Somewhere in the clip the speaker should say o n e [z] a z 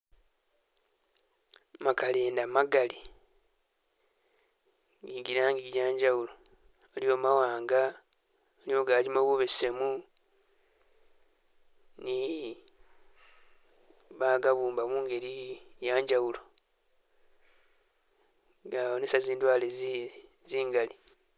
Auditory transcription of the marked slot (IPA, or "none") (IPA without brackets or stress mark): s